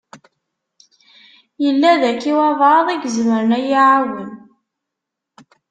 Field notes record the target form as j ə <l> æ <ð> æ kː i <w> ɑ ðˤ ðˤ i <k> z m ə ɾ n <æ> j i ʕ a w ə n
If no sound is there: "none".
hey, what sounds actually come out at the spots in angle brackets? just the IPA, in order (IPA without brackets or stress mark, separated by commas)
lː, ð, w, ɡ, æ